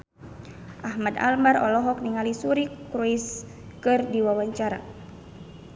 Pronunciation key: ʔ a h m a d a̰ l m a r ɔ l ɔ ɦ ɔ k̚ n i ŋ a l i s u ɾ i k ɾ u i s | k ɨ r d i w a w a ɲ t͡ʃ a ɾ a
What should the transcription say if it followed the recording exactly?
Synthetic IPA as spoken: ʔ a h m a d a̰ l m a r ɔ l ɔ ɦ ɔ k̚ n i ŋ a l i s u ɾ i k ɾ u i s | k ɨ r d i w a w a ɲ t͡ʃ a ɾ a